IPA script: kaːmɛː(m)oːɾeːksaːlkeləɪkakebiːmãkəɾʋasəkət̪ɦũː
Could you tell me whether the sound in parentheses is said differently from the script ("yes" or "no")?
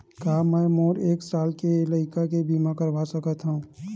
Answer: no